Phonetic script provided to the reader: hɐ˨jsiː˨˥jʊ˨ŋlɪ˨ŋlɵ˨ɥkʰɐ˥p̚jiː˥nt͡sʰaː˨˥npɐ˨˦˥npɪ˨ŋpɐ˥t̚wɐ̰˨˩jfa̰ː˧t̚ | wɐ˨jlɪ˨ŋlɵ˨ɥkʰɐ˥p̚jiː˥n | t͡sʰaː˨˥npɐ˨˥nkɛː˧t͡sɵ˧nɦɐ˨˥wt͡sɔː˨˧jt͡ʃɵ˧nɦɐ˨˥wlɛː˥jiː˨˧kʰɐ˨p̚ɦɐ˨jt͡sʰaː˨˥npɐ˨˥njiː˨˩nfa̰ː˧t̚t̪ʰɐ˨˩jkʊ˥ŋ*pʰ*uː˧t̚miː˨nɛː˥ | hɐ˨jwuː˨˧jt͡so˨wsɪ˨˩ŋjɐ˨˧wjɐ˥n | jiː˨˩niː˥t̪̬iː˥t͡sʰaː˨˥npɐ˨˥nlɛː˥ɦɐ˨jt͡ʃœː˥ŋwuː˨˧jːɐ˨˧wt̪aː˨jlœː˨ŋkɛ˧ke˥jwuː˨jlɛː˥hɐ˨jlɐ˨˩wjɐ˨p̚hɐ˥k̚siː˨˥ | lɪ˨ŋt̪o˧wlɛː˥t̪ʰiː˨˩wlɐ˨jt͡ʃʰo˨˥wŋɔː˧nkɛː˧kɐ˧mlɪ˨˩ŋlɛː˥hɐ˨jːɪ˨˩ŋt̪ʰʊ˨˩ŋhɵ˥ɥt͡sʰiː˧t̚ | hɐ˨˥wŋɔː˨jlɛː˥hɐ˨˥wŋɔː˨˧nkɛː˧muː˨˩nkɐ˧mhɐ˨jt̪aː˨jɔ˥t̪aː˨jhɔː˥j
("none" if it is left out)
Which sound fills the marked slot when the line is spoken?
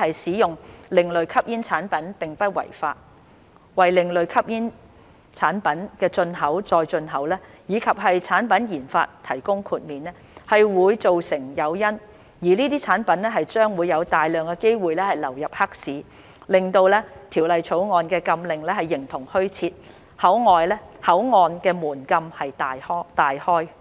kʰ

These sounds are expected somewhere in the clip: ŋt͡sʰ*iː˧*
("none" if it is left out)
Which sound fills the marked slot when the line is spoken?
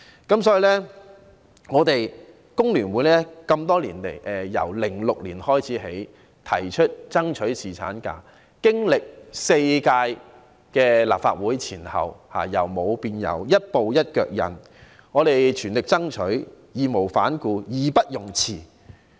iː˨˩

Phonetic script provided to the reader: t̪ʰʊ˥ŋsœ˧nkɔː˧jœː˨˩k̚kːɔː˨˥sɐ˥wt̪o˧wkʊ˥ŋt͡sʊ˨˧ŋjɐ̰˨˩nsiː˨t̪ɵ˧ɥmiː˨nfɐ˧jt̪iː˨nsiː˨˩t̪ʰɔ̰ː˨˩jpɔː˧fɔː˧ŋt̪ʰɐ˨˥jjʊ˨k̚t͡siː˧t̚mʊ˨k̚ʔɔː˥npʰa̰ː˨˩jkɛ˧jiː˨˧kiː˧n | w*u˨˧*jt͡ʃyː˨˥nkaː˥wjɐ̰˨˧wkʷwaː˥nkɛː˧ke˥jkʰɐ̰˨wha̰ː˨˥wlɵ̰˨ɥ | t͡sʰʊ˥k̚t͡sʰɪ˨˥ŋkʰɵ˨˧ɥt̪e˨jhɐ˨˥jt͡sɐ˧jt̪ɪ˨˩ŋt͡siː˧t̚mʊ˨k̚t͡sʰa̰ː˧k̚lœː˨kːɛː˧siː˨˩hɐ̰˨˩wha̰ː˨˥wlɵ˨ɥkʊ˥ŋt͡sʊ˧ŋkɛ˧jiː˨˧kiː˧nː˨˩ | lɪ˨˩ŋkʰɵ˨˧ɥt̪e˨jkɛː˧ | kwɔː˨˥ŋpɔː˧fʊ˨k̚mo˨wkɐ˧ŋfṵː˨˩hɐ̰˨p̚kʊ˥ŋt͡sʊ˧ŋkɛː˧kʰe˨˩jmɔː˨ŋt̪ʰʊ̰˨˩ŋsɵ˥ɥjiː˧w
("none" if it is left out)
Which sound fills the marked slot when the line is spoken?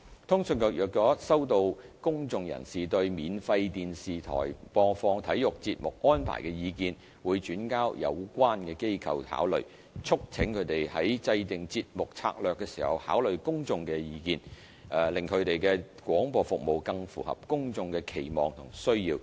uː˨˧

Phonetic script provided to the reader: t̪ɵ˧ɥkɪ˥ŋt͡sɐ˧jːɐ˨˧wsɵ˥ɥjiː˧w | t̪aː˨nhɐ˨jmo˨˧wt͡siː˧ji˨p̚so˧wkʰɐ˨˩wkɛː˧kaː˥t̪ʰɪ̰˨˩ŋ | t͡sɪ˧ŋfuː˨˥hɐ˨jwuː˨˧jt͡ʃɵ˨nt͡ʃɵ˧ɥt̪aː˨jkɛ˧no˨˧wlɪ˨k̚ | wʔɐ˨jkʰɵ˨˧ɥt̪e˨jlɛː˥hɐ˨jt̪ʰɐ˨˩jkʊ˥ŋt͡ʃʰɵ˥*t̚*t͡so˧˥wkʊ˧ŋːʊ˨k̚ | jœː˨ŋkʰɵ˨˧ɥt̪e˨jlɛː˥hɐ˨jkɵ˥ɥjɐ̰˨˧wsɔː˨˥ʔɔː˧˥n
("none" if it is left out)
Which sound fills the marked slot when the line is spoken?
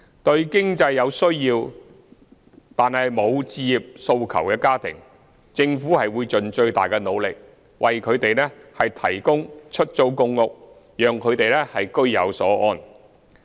t̚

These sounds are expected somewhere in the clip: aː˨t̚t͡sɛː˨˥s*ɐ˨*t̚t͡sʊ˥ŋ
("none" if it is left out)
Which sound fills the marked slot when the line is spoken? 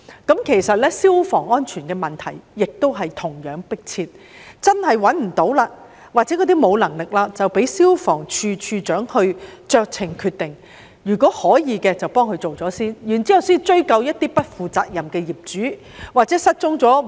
ɐ˥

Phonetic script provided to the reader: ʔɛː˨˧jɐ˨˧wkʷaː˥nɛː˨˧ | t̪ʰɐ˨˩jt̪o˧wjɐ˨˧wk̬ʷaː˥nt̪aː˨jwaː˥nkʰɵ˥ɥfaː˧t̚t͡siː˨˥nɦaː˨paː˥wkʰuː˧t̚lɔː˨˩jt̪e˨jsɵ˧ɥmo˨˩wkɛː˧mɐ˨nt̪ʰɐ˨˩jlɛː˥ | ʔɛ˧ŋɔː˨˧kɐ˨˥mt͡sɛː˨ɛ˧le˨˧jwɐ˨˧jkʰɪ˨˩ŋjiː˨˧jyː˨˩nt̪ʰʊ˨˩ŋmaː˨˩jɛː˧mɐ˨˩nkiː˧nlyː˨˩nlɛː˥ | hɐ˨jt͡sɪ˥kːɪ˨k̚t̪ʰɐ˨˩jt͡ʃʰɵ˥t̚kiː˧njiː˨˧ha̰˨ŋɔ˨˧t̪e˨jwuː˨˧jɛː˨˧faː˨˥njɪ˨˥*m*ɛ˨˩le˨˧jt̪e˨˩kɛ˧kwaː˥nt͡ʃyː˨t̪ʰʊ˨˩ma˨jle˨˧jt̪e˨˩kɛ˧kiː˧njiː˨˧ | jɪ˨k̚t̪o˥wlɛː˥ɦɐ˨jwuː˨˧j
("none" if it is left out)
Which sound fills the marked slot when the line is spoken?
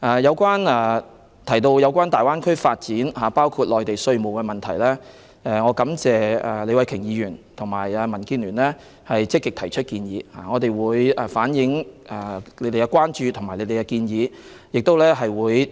ŋ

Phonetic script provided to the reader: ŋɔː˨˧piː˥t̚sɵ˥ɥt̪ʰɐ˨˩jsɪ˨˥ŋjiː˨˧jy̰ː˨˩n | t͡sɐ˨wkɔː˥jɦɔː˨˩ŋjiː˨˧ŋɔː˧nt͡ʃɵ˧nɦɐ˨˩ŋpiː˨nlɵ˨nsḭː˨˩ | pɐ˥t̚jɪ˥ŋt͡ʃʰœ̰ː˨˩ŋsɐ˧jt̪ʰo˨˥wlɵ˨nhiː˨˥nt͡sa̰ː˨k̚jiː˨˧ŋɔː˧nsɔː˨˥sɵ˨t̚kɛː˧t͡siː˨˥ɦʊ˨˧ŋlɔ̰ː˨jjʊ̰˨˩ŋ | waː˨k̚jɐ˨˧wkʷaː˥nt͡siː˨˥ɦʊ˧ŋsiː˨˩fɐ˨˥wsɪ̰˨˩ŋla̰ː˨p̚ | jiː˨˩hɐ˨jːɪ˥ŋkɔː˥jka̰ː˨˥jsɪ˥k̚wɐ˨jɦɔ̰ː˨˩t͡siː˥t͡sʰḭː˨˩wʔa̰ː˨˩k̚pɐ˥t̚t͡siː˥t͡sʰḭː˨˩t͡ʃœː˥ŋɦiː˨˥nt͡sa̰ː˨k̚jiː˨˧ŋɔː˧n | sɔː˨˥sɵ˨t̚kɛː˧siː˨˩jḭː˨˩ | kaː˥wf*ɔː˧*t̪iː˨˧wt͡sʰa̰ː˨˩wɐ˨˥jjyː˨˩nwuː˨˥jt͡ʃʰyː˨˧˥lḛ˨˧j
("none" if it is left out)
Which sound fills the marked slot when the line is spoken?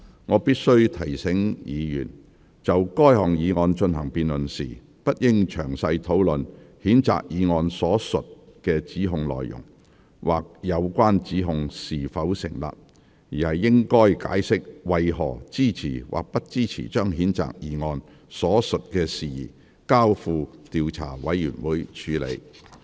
uː˧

